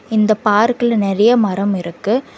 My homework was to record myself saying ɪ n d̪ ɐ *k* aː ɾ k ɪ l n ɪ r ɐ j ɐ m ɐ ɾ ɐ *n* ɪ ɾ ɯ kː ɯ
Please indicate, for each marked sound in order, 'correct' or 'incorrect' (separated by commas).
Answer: incorrect, incorrect